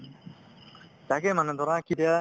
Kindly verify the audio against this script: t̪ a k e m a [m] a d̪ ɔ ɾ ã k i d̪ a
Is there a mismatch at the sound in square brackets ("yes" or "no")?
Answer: yes